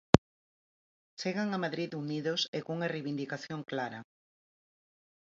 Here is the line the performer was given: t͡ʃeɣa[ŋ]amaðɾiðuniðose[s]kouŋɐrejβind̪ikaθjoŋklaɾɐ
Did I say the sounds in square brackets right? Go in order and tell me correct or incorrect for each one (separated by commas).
correct, incorrect